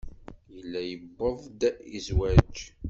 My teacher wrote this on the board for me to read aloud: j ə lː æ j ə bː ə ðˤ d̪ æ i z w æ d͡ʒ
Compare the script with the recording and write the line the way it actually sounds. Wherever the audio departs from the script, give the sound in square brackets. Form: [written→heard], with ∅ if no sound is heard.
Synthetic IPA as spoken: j ə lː æ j ə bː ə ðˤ d̪ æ i z w æ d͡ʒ